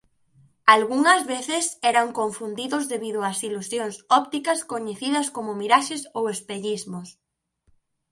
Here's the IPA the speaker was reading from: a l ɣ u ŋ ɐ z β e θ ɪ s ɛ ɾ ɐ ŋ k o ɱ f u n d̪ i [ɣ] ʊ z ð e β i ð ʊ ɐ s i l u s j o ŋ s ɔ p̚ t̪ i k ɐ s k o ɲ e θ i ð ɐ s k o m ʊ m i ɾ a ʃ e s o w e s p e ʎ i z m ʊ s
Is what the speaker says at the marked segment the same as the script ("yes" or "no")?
no